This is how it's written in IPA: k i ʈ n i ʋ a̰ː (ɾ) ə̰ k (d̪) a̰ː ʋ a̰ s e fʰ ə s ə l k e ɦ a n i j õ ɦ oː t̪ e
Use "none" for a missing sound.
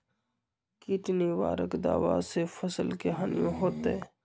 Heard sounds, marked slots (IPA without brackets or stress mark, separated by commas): ɾ, d̪